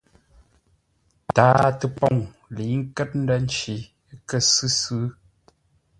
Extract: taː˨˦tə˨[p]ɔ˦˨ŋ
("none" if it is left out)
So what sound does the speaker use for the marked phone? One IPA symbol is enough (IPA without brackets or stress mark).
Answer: p